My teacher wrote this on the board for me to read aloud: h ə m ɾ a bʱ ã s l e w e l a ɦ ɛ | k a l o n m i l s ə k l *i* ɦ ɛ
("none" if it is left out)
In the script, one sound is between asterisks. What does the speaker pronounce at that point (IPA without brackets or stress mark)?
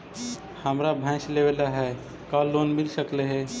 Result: e